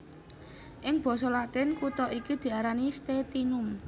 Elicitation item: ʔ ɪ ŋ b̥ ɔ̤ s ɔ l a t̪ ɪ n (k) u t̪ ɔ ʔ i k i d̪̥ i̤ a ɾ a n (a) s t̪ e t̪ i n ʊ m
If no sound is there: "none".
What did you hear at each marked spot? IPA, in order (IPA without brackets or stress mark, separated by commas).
k, i